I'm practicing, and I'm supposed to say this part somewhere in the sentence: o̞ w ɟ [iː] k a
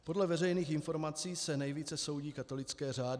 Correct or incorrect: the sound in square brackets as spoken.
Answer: correct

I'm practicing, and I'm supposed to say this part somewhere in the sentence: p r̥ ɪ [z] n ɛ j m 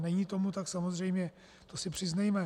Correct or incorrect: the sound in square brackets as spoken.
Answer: correct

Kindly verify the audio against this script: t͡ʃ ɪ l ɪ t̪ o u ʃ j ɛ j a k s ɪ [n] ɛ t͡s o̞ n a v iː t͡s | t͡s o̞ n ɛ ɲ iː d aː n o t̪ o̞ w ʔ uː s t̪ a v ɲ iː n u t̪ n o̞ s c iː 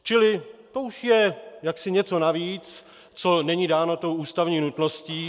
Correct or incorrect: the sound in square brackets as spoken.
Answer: incorrect: ɲ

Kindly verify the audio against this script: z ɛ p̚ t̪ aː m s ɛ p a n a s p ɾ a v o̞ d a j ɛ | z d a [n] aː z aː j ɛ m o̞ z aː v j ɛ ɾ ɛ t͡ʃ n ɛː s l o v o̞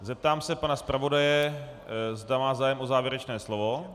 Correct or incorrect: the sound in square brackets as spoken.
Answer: incorrect: m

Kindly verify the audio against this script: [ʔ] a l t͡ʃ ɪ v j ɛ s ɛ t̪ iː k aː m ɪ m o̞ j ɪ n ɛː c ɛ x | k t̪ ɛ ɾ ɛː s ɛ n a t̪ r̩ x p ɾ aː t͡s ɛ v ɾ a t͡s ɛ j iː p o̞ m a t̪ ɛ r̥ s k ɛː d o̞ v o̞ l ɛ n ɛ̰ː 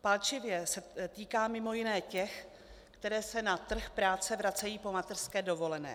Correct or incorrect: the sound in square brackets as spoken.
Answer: incorrect: p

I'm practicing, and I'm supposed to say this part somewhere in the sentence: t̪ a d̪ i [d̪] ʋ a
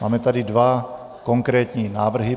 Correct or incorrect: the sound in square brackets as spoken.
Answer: correct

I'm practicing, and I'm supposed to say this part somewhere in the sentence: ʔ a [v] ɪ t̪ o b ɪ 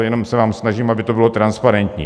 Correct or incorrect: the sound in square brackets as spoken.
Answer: incorrect: b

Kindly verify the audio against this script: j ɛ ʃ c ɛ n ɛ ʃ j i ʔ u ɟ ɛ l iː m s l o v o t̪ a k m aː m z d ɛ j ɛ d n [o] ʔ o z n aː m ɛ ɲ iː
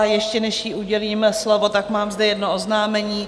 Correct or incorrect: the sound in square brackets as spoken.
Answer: correct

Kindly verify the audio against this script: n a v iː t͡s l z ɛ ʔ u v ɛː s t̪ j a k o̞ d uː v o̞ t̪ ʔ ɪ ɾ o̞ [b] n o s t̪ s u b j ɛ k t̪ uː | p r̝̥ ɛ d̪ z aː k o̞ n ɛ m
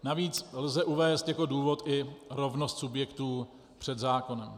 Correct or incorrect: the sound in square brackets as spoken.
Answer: incorrect: v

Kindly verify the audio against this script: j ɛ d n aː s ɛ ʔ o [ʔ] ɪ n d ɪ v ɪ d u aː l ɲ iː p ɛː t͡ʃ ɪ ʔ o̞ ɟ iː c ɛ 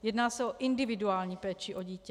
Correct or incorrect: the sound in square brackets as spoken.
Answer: correct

